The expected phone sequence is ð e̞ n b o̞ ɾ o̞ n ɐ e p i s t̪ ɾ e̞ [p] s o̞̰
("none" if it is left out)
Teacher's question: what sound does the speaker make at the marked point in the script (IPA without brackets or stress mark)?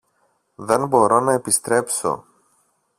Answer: p